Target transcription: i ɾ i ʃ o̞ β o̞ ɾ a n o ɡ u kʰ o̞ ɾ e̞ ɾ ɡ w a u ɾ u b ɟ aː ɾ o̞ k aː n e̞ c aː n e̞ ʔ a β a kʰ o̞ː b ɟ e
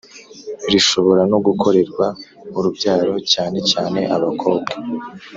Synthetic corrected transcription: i ɾ i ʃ o̞ β o̞ ɾ a n o ɡ u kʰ o̞ ɾ e̞ ɾ ɡ w a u ɾ u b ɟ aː ɾ o̞ c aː n e̞ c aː n e̞ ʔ a β a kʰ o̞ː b ɡ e